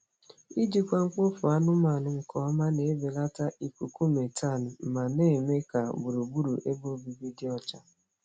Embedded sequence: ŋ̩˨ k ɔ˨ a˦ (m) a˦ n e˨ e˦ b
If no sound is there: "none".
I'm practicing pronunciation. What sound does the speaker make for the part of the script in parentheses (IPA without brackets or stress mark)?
m